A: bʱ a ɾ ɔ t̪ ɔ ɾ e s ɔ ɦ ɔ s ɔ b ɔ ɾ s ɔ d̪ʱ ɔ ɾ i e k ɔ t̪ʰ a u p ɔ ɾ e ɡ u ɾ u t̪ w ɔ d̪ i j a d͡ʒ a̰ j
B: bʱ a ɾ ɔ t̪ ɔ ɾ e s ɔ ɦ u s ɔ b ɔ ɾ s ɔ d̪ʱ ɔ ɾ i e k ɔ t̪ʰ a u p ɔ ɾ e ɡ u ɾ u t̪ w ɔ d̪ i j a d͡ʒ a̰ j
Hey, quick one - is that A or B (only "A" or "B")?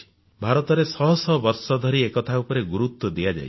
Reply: A